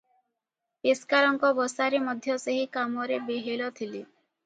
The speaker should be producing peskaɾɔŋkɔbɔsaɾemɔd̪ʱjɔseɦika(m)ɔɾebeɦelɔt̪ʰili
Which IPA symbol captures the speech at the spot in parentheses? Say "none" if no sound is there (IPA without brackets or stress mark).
m